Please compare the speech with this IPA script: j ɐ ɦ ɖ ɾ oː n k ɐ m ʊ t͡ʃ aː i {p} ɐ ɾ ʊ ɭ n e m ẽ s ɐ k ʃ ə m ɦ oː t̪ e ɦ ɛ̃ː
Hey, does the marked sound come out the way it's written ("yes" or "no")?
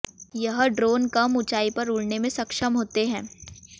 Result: yes